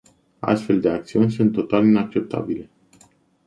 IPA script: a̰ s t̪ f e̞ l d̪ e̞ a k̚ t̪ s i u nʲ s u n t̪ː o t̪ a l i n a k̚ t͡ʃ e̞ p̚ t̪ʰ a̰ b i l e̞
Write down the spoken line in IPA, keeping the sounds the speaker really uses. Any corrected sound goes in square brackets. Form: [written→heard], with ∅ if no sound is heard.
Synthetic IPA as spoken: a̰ s t̪ f e̞ l d̪ e̞ a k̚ t̪ s i u nʲ s u n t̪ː o t̪ a l i n a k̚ t͡ʃ e̞ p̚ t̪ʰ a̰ b i l e̞